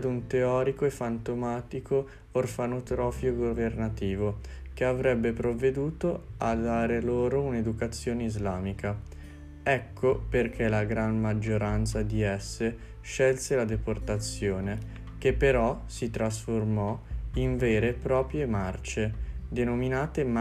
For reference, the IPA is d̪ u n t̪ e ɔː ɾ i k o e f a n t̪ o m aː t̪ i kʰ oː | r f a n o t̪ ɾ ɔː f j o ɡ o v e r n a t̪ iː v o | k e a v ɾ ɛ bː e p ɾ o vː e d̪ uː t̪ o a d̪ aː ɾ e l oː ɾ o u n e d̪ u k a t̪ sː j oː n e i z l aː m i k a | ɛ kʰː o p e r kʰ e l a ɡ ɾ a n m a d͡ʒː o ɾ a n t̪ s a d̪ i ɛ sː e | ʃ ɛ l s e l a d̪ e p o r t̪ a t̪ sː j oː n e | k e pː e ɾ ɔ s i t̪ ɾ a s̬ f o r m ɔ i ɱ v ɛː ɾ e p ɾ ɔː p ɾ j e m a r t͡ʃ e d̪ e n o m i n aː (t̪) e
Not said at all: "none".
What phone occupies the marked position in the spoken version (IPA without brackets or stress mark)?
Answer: t̪